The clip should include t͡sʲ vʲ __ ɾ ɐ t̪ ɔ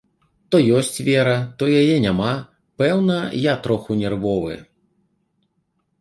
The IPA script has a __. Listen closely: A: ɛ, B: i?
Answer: A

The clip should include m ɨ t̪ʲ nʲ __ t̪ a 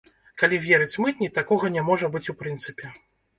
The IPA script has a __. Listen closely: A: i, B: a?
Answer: A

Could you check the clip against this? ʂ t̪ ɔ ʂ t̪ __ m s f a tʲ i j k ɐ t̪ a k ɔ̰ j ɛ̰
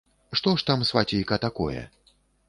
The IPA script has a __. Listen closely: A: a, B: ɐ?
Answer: A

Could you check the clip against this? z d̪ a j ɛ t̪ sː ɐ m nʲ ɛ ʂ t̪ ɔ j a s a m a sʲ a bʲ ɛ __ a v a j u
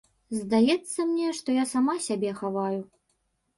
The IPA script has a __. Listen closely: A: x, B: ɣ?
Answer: A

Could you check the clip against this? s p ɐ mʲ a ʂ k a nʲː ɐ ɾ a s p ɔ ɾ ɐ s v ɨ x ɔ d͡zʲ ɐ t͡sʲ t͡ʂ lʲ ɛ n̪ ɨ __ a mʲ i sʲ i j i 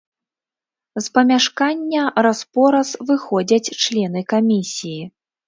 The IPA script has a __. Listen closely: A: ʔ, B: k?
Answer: B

